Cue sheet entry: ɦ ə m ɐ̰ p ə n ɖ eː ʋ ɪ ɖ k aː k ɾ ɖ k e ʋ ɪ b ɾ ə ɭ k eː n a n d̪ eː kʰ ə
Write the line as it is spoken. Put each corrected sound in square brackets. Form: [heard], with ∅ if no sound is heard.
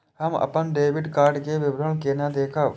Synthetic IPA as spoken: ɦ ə m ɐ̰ p ə n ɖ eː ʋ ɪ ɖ k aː [∅] ɾ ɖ k e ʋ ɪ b ɾ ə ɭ k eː n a [∅] d̪ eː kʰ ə